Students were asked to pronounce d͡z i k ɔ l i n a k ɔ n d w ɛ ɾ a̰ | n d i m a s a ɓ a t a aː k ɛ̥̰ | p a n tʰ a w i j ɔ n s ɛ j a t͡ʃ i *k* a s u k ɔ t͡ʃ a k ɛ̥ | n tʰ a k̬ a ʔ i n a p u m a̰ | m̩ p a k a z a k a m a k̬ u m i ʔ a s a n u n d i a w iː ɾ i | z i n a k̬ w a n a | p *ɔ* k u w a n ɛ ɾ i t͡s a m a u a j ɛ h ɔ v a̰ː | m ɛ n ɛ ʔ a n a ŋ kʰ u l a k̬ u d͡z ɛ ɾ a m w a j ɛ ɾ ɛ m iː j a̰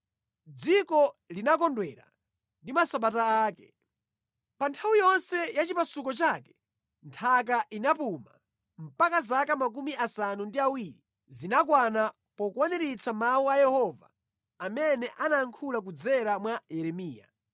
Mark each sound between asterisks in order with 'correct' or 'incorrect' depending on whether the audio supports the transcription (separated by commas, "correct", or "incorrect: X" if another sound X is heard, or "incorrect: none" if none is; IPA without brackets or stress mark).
incorrect: p, correct